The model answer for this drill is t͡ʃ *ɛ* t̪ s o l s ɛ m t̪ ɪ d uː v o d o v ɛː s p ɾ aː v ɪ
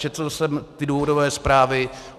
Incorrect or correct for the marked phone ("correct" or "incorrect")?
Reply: correct